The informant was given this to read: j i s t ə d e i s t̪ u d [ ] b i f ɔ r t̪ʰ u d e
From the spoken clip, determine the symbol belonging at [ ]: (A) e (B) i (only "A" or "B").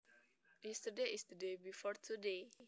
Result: A